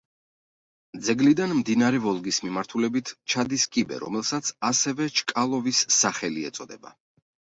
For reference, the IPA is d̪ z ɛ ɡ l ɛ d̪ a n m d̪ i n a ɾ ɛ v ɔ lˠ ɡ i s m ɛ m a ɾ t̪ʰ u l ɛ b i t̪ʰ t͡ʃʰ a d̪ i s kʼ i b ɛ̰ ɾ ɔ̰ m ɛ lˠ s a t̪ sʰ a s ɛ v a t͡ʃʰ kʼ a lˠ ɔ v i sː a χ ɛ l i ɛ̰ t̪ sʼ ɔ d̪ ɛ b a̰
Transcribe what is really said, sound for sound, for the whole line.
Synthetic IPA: d̪ z ɛ ɡ l i d̪ a n m d̪ i n a ɾ ɛ v ɔ lˠ ɡ i s m i m a ɾ t̪ʰ u l ɛ b i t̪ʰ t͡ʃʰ a d̪ i s kʼ i b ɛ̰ ɾ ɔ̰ m ɛ lˠ s a t̪ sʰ a s ɛ v ɛ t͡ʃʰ kʼ a lˠ ɔ v i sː a χ ɛ l i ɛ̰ t̪ sʼ ɔ d̪ ɛ b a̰